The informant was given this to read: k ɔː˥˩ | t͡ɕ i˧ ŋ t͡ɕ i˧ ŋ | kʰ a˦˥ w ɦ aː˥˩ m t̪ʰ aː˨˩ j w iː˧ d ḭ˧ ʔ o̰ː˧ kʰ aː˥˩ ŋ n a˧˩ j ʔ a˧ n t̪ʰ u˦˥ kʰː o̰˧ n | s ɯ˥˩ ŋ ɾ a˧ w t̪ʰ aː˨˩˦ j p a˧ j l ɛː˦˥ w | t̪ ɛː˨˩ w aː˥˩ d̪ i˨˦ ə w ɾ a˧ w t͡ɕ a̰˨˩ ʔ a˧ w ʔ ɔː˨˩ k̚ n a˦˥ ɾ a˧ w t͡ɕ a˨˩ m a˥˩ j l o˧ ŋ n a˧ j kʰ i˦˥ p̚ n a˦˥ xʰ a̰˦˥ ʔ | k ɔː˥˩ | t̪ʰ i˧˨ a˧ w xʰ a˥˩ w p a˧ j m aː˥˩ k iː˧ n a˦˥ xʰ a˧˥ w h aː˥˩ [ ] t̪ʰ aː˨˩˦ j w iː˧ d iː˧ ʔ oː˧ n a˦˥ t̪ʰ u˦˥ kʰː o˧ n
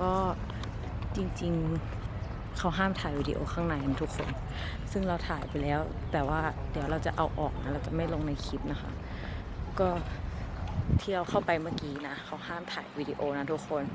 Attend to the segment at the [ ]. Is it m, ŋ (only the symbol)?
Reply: m